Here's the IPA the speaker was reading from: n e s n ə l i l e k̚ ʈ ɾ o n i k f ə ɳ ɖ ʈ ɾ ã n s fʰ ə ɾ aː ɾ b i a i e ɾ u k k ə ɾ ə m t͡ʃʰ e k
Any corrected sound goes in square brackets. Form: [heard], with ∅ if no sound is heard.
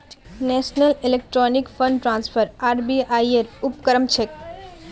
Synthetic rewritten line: n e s n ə l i l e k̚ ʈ ɾ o n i k f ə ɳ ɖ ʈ ɾ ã n s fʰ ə ɾ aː ɾ b i a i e ɾ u [p] k ə ɾ ə m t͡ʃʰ e k